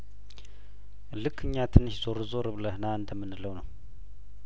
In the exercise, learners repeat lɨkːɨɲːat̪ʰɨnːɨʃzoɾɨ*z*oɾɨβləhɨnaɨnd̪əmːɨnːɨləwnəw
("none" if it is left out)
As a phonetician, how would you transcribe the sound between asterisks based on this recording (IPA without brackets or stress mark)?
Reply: z